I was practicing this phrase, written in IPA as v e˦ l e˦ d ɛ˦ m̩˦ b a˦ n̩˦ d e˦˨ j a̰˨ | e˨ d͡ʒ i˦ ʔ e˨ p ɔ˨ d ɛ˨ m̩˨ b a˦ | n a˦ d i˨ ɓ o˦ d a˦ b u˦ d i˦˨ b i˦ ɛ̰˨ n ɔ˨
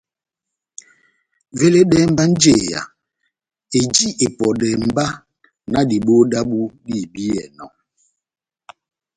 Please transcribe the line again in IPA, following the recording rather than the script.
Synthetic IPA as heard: v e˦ l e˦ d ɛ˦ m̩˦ b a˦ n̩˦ d͡ʒ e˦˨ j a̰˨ | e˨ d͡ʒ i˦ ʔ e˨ p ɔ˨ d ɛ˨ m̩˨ b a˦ | n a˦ d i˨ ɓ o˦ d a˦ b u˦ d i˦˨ b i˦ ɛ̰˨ n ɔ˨